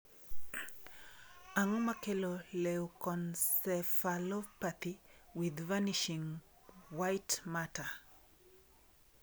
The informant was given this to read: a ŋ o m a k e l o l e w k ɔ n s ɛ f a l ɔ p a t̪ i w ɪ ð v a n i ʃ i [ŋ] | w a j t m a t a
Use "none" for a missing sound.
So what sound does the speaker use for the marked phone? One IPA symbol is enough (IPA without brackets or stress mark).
ŋ